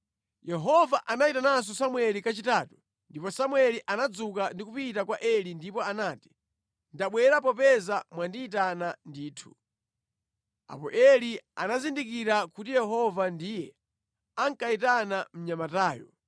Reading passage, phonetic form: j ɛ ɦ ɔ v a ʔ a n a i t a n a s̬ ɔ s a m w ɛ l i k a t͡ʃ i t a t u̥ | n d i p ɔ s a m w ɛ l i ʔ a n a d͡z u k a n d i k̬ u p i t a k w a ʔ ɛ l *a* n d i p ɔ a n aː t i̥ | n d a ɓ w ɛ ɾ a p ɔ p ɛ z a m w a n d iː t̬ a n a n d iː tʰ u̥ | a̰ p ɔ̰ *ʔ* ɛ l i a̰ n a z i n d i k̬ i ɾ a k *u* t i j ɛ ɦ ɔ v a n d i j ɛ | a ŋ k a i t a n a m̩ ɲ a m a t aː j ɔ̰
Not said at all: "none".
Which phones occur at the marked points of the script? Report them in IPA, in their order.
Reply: i, ʔ, u

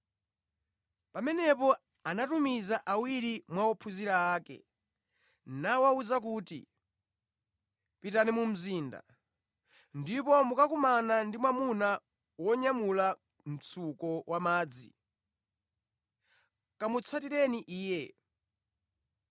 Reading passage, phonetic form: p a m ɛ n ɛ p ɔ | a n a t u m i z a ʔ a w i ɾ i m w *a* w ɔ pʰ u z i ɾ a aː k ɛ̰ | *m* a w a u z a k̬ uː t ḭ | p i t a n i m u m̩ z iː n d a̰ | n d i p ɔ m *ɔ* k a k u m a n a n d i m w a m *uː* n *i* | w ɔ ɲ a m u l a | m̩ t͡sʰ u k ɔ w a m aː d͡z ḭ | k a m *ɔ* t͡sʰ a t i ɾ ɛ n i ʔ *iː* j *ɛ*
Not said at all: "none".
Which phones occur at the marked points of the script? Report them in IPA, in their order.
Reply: a, n, u, u, a, u, iː, ɛ

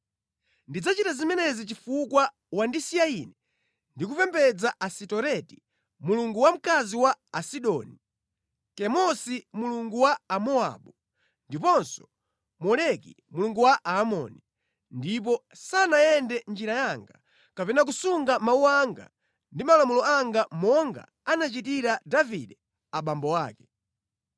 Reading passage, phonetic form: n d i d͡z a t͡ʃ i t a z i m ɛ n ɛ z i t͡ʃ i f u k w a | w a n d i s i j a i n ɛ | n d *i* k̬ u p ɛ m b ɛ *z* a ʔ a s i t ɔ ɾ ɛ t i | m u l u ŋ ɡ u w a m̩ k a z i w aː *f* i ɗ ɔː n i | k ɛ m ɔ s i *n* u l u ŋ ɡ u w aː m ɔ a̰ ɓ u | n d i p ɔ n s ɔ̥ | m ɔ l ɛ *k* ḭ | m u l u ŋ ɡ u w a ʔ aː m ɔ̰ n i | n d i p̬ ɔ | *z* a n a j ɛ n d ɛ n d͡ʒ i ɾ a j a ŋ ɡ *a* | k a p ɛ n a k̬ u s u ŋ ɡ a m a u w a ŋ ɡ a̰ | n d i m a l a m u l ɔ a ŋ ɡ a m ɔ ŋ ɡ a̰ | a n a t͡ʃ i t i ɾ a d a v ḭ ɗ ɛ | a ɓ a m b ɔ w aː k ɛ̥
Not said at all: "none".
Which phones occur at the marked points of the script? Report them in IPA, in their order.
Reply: i, d͡z, s, m, k, s, a

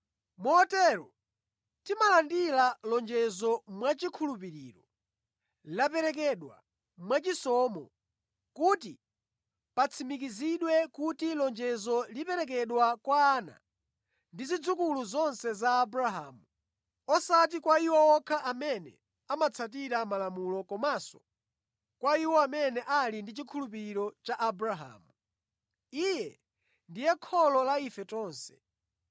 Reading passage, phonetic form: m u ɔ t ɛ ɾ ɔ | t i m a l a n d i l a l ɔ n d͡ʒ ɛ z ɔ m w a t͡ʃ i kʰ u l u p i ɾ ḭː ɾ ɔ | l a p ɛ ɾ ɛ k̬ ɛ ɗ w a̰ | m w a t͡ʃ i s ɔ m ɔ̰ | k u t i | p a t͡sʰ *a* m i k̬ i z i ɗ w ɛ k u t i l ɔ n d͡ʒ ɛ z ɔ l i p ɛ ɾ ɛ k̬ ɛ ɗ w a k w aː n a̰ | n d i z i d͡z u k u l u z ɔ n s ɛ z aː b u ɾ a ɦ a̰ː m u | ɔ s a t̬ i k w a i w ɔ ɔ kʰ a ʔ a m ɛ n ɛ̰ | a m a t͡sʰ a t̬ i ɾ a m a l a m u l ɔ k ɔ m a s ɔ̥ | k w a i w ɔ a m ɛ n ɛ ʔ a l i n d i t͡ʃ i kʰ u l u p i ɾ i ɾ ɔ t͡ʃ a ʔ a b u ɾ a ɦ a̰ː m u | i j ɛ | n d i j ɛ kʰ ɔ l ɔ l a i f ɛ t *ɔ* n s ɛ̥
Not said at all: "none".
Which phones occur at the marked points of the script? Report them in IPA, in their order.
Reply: i, ɔː

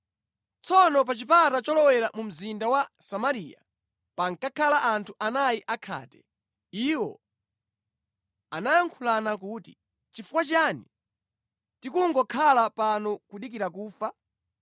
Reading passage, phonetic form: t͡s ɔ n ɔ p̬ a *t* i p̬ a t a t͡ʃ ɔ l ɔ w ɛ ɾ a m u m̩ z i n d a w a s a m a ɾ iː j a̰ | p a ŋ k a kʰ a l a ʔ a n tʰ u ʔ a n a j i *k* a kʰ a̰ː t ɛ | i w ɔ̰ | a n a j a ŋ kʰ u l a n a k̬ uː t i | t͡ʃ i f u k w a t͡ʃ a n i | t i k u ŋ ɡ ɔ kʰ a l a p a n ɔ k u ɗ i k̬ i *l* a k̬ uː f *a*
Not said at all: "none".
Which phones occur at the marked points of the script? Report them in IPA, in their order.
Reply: t͡ʃ, ʔ, ɾ, a

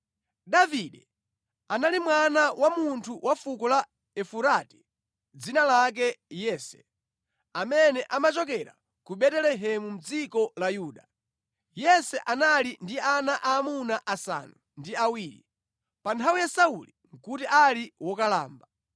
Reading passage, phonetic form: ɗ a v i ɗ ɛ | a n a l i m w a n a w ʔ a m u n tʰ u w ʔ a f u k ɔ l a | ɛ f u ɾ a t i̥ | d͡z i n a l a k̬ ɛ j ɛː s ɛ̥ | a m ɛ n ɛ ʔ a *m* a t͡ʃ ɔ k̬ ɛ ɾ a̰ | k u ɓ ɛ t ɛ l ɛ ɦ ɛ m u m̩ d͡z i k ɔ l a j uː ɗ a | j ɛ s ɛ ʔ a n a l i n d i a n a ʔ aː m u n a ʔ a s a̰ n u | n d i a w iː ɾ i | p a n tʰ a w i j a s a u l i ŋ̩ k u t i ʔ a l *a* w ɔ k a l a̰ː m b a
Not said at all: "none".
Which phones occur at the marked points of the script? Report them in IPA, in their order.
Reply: m, i

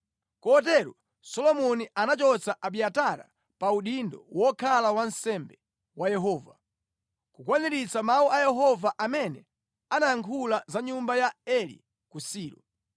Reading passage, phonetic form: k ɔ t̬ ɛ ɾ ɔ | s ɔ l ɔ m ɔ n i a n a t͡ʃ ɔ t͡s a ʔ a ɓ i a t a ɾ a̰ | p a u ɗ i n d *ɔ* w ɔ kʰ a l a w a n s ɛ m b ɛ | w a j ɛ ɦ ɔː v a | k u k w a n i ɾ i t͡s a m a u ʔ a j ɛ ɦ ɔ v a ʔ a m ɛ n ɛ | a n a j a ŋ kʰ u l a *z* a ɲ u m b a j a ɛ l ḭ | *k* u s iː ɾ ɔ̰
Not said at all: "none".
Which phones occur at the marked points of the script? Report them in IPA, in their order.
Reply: ɔ, z, k

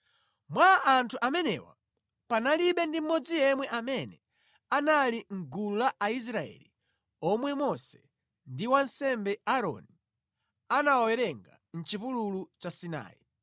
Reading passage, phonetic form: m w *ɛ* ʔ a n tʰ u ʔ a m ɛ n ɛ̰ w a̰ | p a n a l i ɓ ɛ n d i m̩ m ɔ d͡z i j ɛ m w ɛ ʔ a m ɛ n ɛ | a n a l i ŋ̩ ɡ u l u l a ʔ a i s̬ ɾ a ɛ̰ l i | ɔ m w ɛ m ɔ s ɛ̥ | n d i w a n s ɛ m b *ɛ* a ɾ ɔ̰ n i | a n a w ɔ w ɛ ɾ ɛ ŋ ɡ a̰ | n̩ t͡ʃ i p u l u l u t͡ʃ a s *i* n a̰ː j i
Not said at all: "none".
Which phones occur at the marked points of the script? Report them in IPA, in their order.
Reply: a, ɛ, i

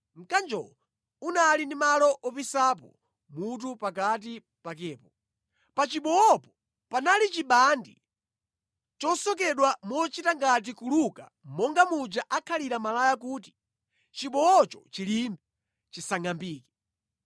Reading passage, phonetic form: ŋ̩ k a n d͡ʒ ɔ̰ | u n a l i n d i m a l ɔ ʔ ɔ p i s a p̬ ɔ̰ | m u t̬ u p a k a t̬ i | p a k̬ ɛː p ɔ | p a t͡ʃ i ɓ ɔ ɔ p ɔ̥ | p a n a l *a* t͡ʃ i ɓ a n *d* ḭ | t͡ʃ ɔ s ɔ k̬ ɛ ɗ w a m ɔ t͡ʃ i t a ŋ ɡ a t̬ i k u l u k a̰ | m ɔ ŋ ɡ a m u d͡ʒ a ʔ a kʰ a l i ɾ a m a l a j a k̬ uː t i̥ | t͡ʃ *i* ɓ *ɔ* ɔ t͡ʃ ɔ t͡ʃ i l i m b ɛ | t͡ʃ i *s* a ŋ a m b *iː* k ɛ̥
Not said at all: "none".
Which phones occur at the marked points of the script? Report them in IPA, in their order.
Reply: i, d, i, ɔ, s, iː

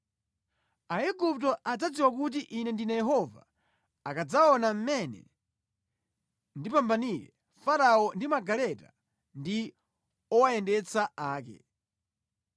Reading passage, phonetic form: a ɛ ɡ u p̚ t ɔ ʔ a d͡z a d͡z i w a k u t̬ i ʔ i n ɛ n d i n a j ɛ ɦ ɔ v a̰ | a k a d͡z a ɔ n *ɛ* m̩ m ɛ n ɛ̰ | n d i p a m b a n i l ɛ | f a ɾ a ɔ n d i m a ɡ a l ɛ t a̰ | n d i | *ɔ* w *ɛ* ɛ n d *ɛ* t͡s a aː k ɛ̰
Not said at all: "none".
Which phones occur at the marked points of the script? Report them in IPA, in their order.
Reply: a, ɔ, a, ɛ

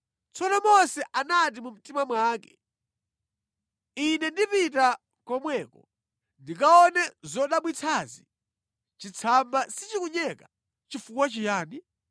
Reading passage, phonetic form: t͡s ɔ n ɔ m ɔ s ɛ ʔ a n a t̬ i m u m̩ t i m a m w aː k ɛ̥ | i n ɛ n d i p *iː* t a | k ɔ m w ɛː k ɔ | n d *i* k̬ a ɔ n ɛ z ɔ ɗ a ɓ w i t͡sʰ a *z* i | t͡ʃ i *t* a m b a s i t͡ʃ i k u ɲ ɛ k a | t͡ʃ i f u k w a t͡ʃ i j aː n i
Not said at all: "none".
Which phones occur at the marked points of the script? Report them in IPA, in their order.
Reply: i, i, z, t͡sʰ

